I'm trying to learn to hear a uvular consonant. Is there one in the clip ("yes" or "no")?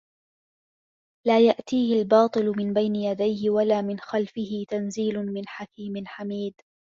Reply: no